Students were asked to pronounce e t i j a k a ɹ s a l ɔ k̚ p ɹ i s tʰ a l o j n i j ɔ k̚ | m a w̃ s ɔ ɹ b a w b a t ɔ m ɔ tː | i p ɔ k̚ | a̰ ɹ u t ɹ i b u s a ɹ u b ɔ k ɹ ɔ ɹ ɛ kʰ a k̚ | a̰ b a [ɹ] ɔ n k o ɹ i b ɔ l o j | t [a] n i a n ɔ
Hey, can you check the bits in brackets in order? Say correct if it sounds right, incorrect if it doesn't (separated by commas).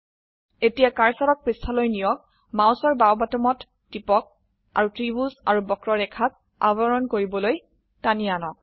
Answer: correct, correct